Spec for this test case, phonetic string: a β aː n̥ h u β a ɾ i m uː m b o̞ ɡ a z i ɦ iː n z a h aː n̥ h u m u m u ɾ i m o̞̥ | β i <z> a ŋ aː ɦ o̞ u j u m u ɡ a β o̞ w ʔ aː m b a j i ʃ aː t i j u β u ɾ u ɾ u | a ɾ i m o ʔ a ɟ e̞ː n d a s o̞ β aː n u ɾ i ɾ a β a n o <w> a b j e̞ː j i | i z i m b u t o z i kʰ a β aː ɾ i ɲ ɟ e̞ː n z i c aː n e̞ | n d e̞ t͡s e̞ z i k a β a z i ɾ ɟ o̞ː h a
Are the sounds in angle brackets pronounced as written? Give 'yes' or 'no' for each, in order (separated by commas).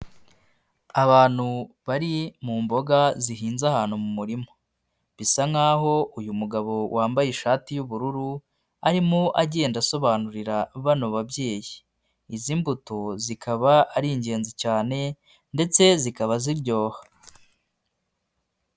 no, no